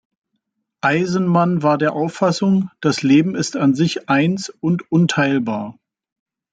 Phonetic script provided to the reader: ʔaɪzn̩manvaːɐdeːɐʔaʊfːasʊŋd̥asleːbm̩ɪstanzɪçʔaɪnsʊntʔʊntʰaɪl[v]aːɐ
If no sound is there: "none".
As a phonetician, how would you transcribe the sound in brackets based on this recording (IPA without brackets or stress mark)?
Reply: b